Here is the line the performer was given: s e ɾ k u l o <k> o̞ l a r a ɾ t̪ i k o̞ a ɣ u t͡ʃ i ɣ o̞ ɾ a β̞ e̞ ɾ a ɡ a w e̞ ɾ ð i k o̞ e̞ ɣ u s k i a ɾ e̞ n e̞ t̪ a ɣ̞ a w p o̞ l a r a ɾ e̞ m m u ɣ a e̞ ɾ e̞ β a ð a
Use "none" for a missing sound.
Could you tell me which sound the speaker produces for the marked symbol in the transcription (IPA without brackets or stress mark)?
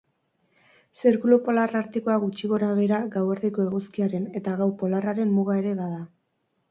p